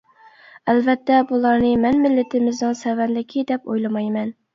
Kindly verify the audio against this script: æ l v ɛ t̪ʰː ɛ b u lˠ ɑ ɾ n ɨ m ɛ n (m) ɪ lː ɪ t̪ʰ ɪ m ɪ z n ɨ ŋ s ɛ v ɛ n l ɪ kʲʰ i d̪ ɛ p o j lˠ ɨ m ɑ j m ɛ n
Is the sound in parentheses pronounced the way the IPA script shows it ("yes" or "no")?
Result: yes